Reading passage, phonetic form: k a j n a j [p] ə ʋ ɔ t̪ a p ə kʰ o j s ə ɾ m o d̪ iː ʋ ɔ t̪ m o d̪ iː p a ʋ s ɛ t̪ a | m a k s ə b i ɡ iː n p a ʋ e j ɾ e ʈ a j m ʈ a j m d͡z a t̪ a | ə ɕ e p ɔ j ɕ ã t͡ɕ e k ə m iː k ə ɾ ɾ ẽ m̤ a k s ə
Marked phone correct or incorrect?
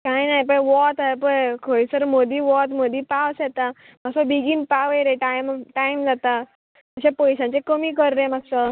correct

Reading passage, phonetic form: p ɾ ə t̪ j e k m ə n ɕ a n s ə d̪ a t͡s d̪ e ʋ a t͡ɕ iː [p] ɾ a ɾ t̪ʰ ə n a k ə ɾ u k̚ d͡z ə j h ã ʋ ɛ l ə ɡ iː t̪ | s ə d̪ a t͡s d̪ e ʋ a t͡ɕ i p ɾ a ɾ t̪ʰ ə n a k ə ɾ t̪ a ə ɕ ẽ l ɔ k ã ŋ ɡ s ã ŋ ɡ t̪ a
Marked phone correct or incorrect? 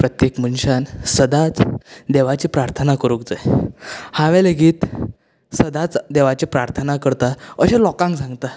correct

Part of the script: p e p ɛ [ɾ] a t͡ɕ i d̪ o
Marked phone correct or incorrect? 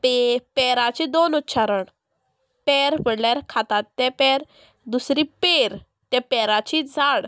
correct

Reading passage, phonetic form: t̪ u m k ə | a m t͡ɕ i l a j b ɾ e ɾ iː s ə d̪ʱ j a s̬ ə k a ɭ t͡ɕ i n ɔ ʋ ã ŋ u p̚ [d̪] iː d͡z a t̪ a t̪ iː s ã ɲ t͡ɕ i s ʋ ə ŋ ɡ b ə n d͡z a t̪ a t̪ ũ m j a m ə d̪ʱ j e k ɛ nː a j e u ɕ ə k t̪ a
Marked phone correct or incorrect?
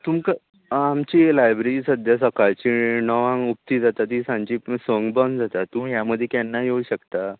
incorrect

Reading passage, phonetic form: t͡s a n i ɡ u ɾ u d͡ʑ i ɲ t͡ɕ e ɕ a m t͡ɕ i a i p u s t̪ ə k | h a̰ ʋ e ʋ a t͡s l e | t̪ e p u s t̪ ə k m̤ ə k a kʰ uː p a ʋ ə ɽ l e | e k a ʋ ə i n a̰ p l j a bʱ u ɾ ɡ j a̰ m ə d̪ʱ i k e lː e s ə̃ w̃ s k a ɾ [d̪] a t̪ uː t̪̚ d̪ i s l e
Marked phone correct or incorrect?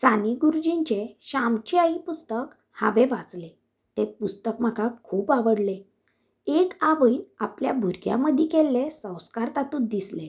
incorrect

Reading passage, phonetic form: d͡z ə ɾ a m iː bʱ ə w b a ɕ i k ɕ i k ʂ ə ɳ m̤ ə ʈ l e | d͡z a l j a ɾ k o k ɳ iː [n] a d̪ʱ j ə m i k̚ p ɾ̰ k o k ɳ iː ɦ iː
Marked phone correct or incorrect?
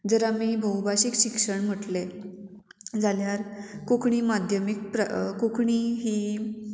incorrect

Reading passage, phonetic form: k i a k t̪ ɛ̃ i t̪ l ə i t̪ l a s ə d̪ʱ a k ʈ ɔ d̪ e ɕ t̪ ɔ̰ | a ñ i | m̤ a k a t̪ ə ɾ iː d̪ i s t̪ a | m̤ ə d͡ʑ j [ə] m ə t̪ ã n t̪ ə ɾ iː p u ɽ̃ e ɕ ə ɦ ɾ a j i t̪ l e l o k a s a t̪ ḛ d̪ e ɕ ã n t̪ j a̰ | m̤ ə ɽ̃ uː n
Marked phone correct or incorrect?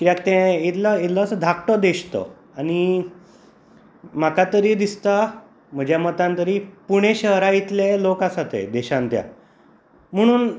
incorrect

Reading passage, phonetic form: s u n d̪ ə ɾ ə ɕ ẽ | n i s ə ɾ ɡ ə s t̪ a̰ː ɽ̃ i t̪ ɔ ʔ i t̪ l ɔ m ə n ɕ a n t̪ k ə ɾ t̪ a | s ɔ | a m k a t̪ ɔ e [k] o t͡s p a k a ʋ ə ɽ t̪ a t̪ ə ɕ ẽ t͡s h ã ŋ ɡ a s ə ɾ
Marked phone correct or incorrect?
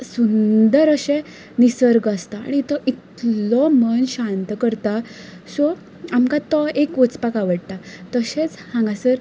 correct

